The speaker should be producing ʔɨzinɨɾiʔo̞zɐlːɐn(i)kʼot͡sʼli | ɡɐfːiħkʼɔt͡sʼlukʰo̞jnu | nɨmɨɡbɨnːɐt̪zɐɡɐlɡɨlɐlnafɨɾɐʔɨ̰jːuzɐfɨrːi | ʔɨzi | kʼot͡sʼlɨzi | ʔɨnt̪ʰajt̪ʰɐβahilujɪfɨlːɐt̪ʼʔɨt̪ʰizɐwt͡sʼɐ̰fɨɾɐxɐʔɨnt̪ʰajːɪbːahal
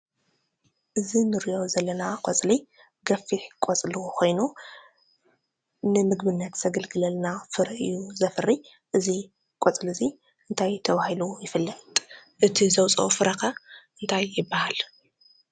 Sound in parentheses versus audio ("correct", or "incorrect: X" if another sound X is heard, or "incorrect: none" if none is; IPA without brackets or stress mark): incorrect: a